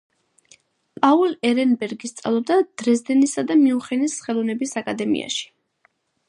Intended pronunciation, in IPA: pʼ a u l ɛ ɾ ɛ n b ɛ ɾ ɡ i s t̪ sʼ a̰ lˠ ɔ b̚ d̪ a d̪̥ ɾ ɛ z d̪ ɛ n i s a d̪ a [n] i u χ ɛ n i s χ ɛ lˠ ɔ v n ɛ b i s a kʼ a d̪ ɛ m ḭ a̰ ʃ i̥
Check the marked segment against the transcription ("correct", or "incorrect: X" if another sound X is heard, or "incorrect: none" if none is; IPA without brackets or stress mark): incorrect: m